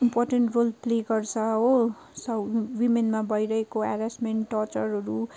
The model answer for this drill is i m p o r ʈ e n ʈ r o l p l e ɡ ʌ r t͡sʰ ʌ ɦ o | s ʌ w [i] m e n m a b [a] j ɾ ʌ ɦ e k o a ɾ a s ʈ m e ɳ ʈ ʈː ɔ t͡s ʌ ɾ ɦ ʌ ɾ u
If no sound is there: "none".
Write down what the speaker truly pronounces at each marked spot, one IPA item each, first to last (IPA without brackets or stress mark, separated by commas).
i, ʌ